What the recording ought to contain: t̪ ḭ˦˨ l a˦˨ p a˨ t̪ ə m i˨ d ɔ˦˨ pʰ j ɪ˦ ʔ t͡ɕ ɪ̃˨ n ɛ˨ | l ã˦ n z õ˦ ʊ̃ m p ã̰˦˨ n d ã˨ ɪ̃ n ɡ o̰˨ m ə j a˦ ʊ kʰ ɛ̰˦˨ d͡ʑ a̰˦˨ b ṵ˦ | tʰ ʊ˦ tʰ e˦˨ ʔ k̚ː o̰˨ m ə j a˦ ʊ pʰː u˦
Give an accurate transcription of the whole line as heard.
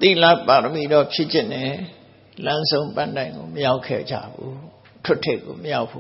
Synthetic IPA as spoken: t̪ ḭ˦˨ l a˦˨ p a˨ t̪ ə m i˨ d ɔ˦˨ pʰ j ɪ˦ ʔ t͡ɕ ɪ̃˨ n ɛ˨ | l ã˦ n z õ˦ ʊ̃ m p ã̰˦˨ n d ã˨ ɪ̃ ŋ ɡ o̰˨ m ə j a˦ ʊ kʰ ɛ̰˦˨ d͡ʑ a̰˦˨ b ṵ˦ | tʰ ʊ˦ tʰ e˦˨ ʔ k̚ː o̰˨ m ə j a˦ ʊ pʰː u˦